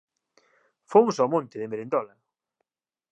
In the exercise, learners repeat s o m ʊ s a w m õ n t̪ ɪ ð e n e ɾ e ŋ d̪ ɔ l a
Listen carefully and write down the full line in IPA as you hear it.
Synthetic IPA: f o m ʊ s a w m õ n t̪ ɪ ð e m e ɾ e n d̪ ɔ l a